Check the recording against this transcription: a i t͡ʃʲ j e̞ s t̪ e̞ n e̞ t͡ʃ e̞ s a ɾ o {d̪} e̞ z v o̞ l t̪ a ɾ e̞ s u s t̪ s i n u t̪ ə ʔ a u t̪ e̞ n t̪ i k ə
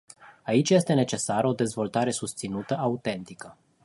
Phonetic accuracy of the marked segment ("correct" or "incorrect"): correct